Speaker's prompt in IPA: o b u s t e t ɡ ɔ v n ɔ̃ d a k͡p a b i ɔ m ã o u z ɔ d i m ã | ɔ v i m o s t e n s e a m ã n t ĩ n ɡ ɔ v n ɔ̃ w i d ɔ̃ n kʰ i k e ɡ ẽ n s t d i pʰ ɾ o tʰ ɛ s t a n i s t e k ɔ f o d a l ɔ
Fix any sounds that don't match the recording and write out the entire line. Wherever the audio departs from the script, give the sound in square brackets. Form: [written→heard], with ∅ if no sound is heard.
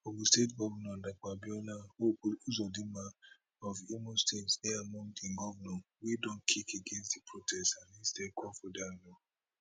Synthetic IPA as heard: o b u s t e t ɡ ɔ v n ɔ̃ d a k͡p a b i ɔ [m→n] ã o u z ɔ d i m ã | ɔ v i m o s t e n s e a m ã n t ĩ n ɡ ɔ v n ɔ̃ w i d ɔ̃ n kʰ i k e ɡ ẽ n s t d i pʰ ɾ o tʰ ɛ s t a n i s t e k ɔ f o d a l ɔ